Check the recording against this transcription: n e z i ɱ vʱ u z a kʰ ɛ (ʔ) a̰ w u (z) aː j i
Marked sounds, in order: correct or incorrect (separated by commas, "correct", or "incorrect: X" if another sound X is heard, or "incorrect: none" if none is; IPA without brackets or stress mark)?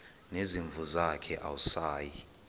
correct, incorrect: s